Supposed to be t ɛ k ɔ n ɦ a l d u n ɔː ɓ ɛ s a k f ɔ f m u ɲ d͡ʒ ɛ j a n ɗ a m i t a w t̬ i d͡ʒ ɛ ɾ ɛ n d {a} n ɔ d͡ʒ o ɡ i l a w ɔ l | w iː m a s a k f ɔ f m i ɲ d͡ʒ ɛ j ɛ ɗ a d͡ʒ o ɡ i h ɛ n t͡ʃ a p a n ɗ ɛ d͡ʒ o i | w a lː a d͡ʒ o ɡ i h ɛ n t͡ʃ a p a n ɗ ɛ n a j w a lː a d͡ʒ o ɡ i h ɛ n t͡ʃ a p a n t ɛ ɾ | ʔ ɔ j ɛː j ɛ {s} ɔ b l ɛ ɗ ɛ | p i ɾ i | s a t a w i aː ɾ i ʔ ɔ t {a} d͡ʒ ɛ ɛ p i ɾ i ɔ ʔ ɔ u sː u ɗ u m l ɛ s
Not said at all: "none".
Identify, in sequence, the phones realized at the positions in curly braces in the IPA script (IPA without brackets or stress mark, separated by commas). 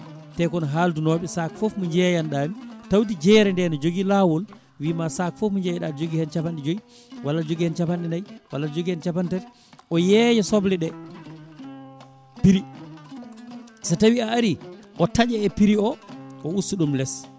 ɛ, s, a